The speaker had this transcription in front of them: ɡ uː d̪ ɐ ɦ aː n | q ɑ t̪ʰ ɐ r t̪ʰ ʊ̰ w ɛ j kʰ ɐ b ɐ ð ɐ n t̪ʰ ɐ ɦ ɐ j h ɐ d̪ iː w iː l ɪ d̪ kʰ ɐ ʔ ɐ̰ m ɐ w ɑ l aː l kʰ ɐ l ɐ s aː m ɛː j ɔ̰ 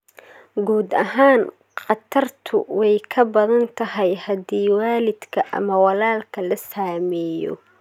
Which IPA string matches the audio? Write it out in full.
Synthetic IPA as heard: ɡ uː d̪ ɐ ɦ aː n | q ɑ t̪ʰ ɐ r t̪ʰ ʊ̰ w ɛ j kʰ ɐ b ɐ ð ɐ n t̪ʰ ɐ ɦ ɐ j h ɐ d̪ iː w aː l ɪ d̪ kʰ ɐ ʔ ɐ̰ m ɐ w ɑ l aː l kʰ ɐ l ɐ s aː m ɛː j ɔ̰

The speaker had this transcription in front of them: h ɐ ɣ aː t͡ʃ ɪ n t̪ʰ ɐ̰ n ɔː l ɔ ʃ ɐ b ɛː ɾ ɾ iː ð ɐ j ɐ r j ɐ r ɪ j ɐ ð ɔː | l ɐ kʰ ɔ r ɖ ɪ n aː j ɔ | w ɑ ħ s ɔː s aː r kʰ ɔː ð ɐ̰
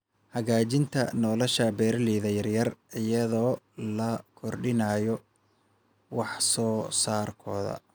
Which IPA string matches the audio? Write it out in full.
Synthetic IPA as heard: h ɐ ɣ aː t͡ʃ ɪ n t̪ʰ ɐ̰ n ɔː l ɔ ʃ ɐ b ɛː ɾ l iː ð ɐ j ɐ r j ɐ r ɪ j ɐ ð ɔː | l ɐ kʰ ɔ r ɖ ɪ n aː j ɔ | w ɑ ħ s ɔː s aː r kʰ ɔː ð ɐ̰

